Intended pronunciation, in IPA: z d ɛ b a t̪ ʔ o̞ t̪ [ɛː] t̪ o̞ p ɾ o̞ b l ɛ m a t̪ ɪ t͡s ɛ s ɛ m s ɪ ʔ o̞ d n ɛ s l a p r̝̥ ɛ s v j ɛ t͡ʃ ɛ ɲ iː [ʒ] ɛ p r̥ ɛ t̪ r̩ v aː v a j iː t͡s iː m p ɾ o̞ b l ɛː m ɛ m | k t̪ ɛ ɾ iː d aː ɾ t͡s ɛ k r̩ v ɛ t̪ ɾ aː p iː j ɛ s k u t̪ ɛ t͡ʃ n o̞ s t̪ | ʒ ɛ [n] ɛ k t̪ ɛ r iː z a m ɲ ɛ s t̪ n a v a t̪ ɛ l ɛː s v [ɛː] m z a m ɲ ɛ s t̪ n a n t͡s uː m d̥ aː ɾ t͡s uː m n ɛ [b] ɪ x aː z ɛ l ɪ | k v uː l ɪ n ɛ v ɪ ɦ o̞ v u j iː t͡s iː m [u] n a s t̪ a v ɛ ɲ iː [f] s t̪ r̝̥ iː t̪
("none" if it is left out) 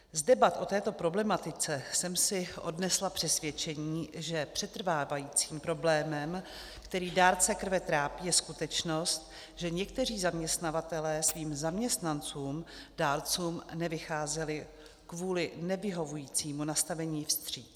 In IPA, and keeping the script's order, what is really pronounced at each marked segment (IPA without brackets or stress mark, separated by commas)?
ɛː, ʒ, ɲ, iː, v, u, f